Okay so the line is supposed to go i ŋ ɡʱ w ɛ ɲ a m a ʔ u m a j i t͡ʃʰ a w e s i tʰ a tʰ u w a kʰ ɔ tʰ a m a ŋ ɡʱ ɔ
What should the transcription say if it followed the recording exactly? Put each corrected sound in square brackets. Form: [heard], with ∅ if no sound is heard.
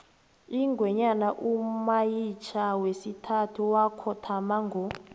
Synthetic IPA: i ŋ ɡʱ w ɛ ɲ a [n] a ʔ u m a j i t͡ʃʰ a w e s i tʰ a tʰ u w a kʰ ɔ tʰ a m a ŋ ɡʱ ɔ